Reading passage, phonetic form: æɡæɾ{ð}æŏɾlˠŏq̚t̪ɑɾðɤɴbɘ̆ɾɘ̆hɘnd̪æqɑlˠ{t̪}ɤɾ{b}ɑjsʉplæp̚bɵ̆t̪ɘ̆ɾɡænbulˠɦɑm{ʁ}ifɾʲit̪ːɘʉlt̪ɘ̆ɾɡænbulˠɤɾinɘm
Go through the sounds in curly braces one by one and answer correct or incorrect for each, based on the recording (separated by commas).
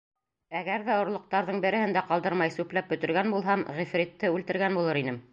correct, incorrect, incorrect, correct